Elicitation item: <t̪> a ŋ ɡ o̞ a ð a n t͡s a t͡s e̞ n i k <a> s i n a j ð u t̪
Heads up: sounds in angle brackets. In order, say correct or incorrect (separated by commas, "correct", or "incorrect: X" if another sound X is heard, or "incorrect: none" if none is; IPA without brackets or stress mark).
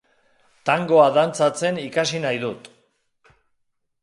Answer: correct, correct